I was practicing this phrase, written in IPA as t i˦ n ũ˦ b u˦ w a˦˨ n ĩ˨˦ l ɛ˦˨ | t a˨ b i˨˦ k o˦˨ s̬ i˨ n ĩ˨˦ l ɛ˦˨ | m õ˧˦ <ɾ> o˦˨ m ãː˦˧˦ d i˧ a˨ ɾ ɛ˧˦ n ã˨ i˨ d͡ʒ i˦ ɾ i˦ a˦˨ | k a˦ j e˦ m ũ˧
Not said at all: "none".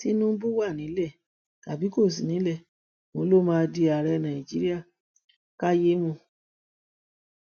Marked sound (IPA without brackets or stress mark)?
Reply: l